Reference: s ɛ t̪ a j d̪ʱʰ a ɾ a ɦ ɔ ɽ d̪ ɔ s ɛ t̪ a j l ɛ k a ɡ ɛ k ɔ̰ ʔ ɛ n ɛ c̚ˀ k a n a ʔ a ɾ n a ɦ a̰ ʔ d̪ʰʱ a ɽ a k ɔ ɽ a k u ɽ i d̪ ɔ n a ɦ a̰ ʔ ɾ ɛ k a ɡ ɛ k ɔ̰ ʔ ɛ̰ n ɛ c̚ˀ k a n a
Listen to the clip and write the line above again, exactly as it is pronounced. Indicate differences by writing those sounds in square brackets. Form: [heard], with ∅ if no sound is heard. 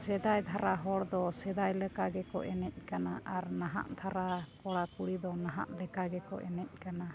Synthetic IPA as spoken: s ɛ [d̪] a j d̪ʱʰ a ɾ a ɦ ɔ ɽ d̪ ɔ s ɛ [d̪] a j l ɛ k a ɡ ɛ k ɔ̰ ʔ ɛ n ɛ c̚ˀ k a n a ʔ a ɾ n a ɦ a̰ ʔ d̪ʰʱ a [ɾ] a k ɔ ɽ a k u ɽ i d̪ ɔ n a ɦ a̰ ʔ [l] ɛ k a ɡ ɛ k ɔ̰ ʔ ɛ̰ n ɛ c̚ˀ k a n a